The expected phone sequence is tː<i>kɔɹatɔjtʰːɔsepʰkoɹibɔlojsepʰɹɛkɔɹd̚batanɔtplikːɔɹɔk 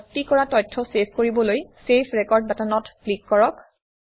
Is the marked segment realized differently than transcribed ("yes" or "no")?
no